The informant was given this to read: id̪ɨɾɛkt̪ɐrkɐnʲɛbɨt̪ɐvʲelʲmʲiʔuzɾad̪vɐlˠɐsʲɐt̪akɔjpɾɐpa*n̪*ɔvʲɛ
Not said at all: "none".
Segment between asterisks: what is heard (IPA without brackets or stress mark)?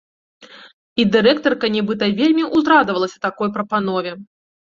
n̪